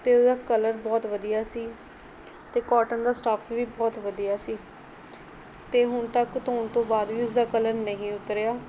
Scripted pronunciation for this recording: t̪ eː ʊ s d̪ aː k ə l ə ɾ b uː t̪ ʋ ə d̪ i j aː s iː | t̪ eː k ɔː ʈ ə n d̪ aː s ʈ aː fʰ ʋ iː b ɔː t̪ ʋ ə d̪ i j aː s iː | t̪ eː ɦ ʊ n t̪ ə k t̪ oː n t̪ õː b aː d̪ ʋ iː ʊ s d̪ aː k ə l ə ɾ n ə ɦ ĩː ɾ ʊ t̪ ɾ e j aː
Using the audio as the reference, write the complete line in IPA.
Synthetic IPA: t̪ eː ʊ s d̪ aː k ə l ə ɾ b ɔː t̪ ʋ ə d̪ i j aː s iː | t̪ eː k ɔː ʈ ə n d̪ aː s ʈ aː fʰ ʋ iː b ɔː t̪ ʋ ə d̪ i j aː s iː | t̪ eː ɦ ʊ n t̪ ə k t̪ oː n t̪ õː b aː d̪ ʋ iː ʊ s d̪ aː k ə l ə ɾ n ə ɦ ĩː ʊ t̪ ɾ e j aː